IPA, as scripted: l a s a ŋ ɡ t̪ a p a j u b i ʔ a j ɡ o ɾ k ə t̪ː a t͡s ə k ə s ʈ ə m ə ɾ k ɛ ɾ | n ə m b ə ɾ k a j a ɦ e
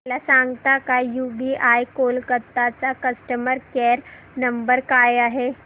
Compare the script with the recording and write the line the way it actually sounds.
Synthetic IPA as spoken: l a s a ŋ ɡ t̪ a k a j u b i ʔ a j k o l k ə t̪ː a t͡s a k ə s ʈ ə m ə ɾ k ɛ ɾ | n ə m b ə ɾ k a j a ɦ e